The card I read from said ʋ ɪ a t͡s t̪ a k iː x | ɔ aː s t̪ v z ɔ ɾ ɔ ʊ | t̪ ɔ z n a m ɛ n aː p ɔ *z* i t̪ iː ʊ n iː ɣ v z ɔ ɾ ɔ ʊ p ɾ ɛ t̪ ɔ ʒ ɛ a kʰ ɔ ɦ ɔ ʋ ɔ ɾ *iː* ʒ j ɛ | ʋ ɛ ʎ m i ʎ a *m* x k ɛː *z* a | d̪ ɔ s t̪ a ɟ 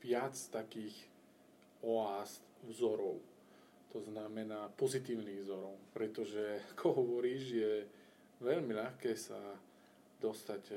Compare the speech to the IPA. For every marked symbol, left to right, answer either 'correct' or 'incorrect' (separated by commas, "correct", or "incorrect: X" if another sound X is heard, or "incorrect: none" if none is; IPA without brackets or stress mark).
correct, correct, incorrect: none, incorrect: s